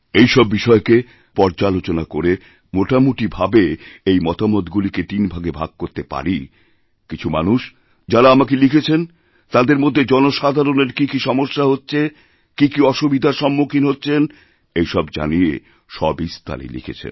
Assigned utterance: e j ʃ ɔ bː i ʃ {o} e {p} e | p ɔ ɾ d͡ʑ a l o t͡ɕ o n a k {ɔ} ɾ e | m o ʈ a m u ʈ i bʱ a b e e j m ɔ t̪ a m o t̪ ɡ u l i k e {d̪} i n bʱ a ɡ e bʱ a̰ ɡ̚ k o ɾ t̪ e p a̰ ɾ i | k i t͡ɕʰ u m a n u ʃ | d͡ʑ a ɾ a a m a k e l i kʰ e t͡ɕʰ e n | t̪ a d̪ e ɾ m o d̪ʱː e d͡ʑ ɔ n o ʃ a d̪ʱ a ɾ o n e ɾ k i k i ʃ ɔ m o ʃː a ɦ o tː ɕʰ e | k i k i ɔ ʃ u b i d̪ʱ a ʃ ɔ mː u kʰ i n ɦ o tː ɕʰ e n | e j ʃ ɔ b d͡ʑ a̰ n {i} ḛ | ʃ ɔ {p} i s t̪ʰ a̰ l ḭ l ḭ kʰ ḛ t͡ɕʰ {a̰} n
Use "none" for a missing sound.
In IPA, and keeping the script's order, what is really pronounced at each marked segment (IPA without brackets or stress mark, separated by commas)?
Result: ɔ, k, o, t̪, i, b, ḛ